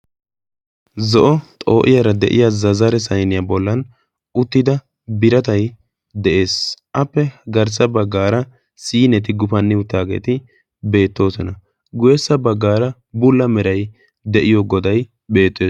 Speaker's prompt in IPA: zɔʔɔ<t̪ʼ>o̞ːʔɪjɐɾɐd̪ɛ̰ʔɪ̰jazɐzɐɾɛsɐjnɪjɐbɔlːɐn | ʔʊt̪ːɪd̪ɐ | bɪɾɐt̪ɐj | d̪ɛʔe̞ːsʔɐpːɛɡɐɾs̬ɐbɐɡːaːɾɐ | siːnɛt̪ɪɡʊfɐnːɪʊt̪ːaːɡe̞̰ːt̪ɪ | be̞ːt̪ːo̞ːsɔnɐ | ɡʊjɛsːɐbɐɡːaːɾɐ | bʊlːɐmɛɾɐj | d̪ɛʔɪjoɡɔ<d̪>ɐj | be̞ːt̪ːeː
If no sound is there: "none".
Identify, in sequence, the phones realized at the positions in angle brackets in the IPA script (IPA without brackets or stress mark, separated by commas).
t̪ʼ, d̪